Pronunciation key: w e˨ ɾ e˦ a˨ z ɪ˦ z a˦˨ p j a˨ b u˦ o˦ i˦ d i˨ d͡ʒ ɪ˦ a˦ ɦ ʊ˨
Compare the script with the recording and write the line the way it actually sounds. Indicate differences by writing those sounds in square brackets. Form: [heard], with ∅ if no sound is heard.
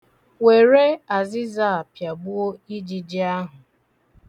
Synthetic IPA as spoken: w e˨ ɾ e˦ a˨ z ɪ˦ z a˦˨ p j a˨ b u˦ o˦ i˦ [d͡ʒ] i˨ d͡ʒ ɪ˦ a˦ ɦ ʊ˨